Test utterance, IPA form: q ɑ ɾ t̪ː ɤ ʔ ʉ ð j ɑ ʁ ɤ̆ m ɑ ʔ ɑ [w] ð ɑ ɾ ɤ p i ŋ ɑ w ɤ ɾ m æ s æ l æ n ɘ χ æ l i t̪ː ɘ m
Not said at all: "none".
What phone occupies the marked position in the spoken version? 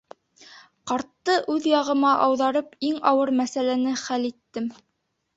w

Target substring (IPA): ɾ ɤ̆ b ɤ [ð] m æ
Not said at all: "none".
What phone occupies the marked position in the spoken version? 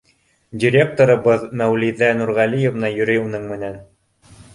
ð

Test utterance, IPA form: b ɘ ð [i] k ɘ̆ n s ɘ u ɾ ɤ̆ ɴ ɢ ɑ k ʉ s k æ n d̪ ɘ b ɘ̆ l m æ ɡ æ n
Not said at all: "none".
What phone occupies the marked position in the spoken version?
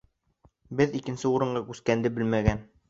i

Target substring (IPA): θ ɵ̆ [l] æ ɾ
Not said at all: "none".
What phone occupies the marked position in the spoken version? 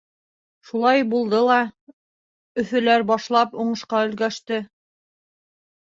l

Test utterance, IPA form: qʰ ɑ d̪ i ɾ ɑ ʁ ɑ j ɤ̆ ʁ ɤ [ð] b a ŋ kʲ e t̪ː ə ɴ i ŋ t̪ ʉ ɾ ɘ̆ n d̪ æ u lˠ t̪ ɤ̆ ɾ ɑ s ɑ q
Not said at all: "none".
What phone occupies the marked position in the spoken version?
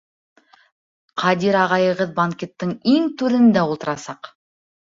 ð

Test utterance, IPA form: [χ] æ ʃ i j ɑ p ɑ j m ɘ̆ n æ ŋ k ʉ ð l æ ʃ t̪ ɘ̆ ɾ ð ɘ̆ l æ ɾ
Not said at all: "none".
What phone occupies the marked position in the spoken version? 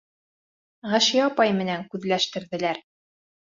ʁ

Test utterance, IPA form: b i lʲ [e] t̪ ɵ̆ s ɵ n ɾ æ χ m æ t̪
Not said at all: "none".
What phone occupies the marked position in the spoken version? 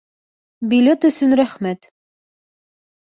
e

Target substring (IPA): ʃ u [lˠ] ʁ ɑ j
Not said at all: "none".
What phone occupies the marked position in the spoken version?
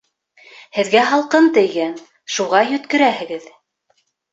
none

